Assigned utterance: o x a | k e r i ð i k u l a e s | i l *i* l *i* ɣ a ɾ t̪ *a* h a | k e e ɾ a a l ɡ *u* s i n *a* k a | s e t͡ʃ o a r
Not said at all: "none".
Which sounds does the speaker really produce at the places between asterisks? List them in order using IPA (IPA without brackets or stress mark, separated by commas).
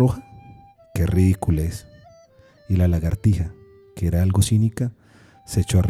a, a, i, o, i